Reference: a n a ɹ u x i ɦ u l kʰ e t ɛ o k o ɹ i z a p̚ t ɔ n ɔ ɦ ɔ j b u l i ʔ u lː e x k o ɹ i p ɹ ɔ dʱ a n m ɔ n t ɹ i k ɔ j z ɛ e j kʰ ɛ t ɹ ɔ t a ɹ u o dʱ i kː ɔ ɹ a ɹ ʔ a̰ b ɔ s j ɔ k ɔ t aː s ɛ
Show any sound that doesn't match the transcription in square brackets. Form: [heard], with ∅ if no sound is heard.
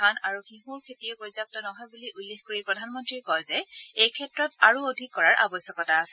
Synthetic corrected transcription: a n a ɹ u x i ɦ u [ɹ] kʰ e t [i] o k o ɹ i z a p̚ t ɔ n ɔ ɦ ɔ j b u l i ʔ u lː e x k o ɹ i p ɹ ɔ dʱ a n m ɔ n t ɹ i k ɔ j z ɛ e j kʰ ɛ t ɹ ɔ t a ɹ u o dʱ i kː ɔ ɹ a ɹ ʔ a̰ b ɔ s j ɔ k ɔ t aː s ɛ